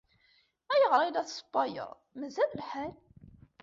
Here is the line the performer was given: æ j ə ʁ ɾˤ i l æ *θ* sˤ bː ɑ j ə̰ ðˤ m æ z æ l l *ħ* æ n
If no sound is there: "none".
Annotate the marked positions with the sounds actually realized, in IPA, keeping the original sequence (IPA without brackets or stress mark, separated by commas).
θ, ħ